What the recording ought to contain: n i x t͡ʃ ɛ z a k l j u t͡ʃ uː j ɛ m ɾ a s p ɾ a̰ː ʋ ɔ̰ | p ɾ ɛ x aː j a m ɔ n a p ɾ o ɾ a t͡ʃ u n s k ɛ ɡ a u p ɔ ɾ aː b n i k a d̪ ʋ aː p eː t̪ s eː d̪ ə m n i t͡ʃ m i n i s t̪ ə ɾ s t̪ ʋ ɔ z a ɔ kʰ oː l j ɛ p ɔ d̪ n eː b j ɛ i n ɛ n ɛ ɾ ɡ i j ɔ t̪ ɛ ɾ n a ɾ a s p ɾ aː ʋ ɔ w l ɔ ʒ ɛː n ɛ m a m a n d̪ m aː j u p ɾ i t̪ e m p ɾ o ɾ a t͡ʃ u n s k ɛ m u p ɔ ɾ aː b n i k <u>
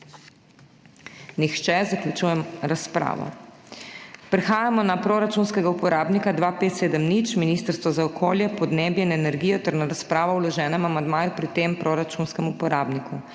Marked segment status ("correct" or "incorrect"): correct